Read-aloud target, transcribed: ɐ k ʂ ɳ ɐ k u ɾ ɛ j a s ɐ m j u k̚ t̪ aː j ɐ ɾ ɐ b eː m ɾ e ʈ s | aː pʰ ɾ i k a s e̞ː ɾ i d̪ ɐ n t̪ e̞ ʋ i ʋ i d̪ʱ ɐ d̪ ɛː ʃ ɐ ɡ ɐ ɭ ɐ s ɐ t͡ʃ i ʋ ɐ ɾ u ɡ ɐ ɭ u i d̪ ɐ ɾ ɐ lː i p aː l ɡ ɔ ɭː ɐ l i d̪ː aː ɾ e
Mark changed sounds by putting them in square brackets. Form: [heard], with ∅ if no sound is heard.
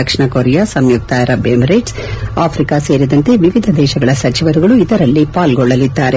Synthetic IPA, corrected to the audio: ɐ k ʂ ɳ ɐ k [o] ɾ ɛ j a s ɐ m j u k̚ t̪ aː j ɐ ɾ ɐ b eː m ɾ e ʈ s | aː pʰ ɾ i k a s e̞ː ɾ i d̪ ɐ n t̪ e̞ ʋ i ʋ i d̪ʱ ɐ d̪ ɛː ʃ ɐ ɡ ɐ ɭ ɐ s ɐ t͡ʃ i ʋ ɐ ɾ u ɡ ɐ ɭ u i d̪ ɐ ɾ ɐ lː i p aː l ɡ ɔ ɭː ɐ l i d̪ː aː ɾ e